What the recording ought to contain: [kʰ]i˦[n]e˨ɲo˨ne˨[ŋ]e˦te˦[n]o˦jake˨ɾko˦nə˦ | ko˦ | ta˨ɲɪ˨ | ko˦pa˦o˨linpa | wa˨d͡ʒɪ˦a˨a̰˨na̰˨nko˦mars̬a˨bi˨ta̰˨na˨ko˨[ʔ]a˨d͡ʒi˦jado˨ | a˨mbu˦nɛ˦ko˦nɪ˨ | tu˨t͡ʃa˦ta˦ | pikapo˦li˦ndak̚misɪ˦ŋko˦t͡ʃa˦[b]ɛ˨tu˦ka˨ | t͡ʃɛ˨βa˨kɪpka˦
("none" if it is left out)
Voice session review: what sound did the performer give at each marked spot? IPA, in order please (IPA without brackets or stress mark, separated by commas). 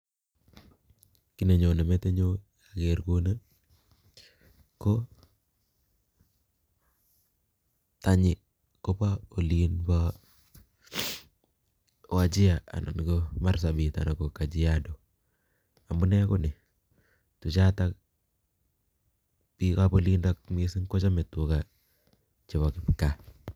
k, n, m, ɲ, k, m